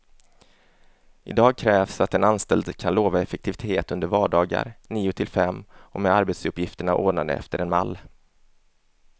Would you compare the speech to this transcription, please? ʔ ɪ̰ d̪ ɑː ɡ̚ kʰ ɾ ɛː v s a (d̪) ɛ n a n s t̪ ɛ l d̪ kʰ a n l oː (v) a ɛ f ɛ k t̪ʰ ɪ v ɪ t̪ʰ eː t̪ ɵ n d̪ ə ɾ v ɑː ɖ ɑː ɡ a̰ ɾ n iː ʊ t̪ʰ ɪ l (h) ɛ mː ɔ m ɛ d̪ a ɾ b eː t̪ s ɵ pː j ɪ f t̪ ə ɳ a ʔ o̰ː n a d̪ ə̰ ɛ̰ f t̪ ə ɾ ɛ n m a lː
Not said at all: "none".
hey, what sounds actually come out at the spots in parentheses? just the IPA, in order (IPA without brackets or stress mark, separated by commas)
t̪, v, f